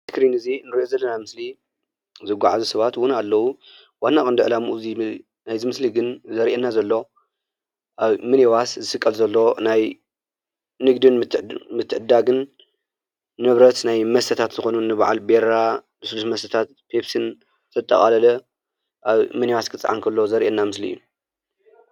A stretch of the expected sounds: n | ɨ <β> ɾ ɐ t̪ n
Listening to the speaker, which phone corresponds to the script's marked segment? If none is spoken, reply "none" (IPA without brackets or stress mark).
β